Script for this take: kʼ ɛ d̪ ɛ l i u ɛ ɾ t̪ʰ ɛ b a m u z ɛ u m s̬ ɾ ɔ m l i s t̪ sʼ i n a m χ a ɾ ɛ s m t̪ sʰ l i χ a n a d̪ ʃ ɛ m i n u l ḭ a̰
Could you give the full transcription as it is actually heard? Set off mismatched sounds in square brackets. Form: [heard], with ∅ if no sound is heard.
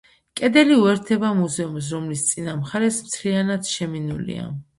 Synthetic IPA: kʼ ɛ d̪ ɛ l i u ɛ ɾ t̪ʰ ɛ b a m u z ɛ u m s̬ ɾ ɔ m l i s t̪ sʼ i n a m χ a ɾ ɛ s m t̪ sʰ l i [∅] a n a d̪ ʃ ɛ m i n u l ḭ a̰